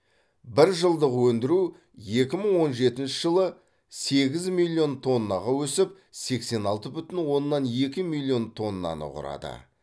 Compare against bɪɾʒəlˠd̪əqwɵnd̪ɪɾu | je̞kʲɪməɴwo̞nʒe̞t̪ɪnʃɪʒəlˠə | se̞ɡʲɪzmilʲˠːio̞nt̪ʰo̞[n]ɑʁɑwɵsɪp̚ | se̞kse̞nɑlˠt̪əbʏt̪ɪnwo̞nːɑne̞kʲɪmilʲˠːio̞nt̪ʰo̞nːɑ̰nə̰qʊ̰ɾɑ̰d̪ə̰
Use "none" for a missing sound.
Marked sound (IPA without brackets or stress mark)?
nː